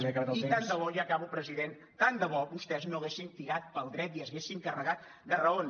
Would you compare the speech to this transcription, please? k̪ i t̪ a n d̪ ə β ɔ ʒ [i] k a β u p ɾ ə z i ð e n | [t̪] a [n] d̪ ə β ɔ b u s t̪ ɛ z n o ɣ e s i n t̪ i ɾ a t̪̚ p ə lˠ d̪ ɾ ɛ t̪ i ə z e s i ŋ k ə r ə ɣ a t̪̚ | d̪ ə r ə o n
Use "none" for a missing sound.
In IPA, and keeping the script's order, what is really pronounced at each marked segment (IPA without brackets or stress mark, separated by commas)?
a, t̪, n